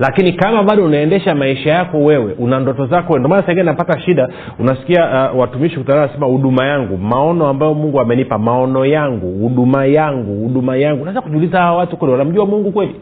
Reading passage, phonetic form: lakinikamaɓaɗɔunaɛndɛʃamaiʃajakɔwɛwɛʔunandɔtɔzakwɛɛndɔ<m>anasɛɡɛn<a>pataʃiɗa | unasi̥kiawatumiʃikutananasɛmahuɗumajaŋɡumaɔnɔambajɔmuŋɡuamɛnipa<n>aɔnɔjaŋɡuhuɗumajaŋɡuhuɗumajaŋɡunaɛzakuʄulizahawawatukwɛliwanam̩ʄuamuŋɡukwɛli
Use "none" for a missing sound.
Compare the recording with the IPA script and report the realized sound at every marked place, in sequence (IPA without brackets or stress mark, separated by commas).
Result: m, a, m